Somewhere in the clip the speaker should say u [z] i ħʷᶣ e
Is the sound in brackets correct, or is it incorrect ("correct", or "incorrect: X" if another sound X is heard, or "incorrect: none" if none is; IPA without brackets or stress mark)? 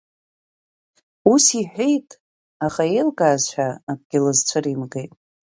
incorrect: s